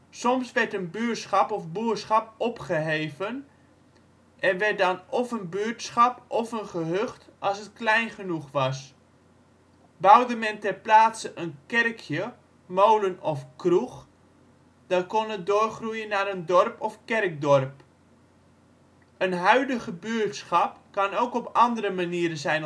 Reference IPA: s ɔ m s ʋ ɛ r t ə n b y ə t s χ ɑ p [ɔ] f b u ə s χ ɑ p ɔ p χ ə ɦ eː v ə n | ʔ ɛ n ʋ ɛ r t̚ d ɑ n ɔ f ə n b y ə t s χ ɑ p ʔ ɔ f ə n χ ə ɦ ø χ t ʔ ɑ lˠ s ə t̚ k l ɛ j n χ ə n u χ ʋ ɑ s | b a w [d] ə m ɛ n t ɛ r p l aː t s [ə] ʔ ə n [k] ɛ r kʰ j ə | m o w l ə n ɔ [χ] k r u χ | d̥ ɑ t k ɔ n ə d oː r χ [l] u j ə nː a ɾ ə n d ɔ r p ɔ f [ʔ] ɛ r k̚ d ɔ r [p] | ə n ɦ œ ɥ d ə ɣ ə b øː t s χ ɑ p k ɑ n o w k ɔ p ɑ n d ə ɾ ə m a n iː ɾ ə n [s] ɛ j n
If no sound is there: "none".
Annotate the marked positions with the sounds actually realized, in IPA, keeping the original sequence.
ɔ, d, ə, k, f, r, k, p, z

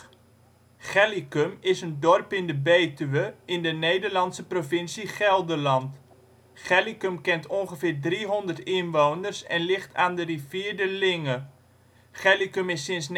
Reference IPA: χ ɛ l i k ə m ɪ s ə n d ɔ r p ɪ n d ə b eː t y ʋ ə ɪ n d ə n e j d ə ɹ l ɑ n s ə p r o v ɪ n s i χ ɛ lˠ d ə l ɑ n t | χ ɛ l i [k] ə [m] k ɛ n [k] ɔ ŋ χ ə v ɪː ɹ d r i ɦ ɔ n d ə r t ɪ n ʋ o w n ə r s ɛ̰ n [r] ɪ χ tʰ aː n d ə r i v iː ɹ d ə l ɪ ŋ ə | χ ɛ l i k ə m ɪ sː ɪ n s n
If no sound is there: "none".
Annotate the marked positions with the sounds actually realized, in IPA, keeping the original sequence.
k, m, t, l

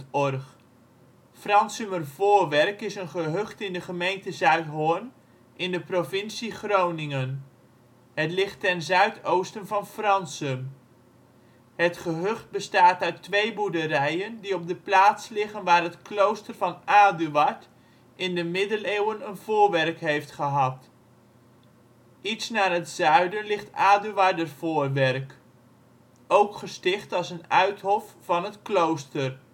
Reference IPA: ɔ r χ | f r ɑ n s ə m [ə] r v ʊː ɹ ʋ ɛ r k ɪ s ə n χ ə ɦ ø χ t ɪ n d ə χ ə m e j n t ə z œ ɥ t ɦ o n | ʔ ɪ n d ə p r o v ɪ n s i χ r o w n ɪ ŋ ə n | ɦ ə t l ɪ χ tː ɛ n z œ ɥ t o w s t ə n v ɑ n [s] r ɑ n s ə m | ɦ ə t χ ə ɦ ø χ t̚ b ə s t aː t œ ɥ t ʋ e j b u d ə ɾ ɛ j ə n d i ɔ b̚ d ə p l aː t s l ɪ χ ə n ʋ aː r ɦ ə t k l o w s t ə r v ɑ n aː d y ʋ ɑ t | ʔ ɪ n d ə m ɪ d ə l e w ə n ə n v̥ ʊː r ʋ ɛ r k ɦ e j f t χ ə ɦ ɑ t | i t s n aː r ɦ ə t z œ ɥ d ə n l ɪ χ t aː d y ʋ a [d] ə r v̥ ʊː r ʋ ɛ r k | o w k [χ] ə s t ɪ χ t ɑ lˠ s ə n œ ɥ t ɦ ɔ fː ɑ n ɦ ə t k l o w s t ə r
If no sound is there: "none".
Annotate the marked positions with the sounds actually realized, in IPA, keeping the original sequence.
ə, f, d, χ

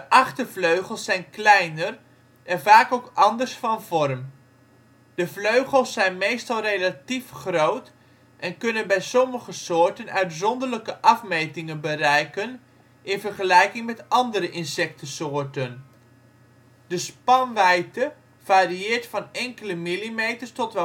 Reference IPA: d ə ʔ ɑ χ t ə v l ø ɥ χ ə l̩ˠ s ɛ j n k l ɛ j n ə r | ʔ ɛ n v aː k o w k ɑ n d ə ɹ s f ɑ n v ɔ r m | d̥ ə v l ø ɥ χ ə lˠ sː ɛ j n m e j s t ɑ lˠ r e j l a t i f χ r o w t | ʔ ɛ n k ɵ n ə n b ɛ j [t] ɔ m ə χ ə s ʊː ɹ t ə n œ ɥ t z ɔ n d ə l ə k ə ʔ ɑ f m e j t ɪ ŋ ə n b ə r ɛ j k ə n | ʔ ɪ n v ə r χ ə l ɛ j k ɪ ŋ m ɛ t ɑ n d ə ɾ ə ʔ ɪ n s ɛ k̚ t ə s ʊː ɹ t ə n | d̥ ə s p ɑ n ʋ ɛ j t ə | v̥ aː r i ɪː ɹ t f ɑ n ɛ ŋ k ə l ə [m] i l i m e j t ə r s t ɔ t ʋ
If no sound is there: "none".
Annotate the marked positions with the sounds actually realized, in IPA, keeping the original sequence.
s, m

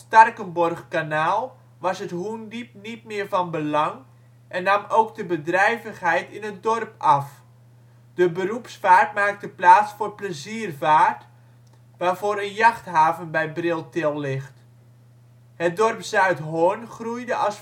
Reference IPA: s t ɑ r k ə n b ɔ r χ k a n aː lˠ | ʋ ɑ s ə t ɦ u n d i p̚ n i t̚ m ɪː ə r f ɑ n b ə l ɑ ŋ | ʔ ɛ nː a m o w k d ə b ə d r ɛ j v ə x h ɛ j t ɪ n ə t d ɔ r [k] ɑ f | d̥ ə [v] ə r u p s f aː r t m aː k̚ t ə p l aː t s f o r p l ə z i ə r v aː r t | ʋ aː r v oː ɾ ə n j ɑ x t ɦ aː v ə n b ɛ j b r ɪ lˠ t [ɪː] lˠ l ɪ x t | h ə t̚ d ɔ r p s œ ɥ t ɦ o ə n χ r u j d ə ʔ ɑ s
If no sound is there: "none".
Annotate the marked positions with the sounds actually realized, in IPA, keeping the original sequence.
p, b, ɪ

